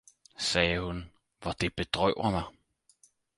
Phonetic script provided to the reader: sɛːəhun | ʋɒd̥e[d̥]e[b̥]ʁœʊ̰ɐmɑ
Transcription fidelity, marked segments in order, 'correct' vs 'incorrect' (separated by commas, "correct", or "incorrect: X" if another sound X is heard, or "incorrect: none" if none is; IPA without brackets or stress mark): incorrect: b̥, incorrect: d̥